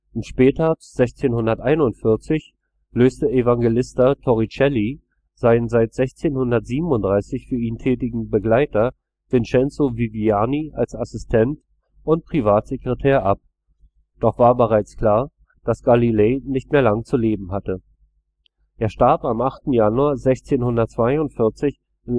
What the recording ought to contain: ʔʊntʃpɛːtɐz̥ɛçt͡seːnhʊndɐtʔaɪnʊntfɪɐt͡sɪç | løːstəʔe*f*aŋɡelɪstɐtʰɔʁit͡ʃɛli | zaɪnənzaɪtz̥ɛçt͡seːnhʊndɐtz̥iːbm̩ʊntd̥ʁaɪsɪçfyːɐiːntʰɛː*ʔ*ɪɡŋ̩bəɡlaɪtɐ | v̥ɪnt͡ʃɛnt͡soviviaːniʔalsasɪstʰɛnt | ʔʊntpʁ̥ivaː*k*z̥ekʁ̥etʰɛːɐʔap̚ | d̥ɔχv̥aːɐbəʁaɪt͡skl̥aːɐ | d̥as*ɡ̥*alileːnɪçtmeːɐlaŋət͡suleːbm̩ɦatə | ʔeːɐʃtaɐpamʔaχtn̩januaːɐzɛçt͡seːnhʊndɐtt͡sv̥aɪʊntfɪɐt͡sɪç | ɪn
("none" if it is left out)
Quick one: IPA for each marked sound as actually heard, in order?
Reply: v, t, t, ɡ̥

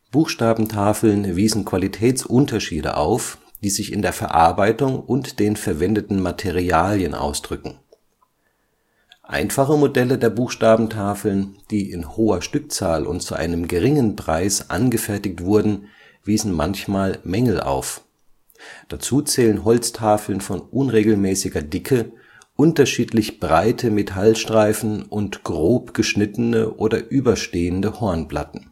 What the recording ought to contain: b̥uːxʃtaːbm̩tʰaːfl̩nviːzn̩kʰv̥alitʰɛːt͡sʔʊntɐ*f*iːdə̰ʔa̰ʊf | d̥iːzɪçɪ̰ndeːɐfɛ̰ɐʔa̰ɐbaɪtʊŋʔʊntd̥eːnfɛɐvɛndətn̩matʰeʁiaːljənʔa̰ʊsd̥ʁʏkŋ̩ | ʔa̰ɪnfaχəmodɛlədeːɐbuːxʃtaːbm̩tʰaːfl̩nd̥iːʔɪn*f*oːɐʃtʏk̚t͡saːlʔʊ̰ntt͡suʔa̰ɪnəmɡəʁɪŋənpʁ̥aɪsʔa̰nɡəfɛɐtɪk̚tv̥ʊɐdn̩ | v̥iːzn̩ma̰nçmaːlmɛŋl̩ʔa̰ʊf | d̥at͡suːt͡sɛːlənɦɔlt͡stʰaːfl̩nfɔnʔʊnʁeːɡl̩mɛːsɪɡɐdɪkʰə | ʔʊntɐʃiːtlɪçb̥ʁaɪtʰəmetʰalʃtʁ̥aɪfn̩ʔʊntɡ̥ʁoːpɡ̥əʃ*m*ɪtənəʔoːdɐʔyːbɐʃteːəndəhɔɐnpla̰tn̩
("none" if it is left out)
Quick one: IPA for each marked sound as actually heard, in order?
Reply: ʃ, h, n

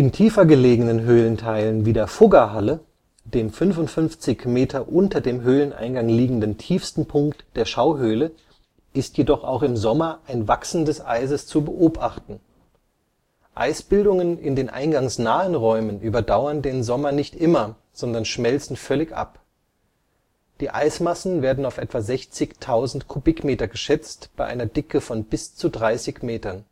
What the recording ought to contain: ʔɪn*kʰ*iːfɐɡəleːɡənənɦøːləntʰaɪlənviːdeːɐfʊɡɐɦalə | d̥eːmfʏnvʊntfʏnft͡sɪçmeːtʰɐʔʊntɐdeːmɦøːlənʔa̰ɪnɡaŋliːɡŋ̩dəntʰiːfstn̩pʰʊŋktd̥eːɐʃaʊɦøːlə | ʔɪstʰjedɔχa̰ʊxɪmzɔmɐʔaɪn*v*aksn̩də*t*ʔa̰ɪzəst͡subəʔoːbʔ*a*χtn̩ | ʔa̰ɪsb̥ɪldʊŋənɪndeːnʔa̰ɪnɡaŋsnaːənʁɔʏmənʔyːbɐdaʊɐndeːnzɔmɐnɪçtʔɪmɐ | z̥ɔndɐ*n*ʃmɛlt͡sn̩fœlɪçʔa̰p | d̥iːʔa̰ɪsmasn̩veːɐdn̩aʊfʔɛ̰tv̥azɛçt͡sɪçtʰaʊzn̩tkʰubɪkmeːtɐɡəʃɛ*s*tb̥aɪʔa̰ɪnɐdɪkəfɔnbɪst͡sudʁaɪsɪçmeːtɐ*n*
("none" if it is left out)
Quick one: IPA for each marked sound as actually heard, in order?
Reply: tʰ, v, s, a, n, t͡s, n

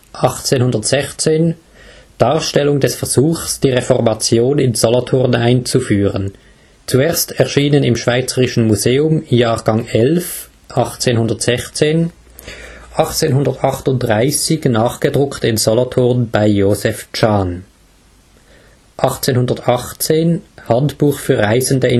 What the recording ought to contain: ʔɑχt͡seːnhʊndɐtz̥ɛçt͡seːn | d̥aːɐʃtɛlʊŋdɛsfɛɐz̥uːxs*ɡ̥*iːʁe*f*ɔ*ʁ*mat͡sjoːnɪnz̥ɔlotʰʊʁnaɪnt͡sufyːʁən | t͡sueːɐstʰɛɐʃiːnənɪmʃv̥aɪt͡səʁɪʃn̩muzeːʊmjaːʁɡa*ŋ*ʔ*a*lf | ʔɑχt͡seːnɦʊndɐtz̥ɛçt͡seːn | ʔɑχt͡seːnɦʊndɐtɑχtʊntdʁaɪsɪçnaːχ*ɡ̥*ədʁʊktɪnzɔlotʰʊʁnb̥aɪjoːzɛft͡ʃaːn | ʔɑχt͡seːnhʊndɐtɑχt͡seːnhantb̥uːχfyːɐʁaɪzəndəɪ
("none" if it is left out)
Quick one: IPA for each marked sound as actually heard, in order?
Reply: d̥, f, ʁ, ŋ, ɛ, ɡ̥

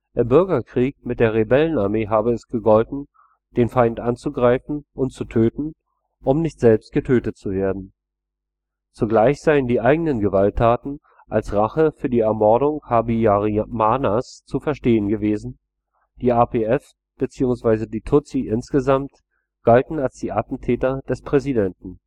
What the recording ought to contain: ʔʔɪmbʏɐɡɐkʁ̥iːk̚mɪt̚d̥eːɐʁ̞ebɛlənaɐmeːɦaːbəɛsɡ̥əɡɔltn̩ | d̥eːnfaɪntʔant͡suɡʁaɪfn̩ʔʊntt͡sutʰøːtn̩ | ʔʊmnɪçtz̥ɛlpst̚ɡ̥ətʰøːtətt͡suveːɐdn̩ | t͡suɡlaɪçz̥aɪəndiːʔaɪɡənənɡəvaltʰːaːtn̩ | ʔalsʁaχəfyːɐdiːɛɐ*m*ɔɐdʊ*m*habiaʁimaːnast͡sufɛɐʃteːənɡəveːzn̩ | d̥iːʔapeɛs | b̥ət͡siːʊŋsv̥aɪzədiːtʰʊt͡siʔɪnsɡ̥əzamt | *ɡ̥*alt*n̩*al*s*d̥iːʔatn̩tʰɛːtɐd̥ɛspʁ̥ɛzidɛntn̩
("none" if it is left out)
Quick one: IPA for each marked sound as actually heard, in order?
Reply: m, ŋ, ɡ̥, n̩, s

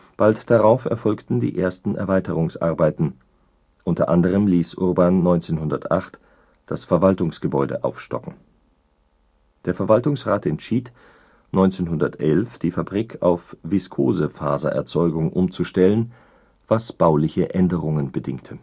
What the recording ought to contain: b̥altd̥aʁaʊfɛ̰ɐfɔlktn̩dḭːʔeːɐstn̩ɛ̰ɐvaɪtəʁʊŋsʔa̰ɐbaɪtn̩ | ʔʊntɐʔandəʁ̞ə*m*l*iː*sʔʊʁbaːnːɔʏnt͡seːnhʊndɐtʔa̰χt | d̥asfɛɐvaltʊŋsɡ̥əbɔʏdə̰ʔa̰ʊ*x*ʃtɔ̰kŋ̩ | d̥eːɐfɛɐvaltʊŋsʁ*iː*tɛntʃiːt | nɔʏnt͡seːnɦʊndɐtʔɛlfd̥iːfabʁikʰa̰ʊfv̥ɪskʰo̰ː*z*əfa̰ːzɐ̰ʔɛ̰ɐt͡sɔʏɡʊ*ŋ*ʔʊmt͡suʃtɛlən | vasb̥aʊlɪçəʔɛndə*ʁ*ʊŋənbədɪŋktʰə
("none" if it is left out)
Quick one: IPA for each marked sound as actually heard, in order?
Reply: m, iː, f, aː, z, ŋ, ʁ

